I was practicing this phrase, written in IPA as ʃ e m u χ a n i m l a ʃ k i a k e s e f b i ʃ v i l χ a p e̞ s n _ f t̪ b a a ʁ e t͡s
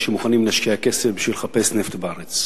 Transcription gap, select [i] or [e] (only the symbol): e